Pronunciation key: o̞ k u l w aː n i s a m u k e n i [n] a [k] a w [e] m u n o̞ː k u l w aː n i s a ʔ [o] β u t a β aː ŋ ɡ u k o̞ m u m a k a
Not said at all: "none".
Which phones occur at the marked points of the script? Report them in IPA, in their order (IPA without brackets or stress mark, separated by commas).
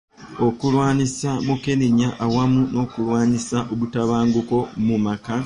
ɲ, ʔ, a, o